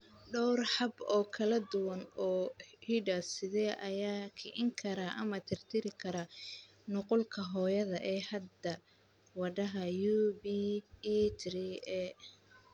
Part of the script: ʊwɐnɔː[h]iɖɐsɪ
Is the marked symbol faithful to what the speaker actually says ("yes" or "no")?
yes